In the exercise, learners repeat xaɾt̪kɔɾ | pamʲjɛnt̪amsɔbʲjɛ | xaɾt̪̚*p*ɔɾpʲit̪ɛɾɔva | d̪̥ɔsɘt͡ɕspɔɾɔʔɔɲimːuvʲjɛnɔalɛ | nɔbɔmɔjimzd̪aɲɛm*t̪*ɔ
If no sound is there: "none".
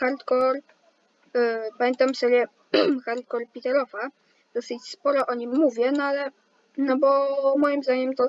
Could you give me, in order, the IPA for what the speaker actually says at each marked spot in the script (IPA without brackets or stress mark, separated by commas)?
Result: k, t̪